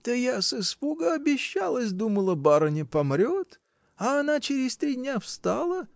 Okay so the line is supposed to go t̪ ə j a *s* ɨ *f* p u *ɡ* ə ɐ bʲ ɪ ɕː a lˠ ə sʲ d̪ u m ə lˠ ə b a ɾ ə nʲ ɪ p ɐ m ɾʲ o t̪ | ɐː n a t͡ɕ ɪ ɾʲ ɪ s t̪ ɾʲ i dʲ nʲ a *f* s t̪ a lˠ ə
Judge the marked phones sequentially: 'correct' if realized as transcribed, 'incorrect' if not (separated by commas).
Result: correct, incorrect, correct, correct